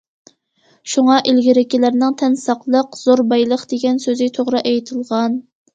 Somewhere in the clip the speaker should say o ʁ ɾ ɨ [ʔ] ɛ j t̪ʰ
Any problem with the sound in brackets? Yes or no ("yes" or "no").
no